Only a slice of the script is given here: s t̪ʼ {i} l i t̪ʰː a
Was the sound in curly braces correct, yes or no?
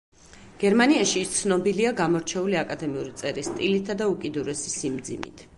yes